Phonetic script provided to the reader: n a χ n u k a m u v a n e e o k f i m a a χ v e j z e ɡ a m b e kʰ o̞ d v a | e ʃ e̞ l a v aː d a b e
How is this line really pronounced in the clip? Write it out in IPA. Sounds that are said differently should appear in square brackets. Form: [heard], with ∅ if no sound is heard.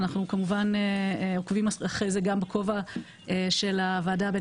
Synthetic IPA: n a χ n u k a m u v a n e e o k [v] i m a a χ [ʁ] e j z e ɡ a m b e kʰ o̞ [∅] v a | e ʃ e̞ l a v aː d a b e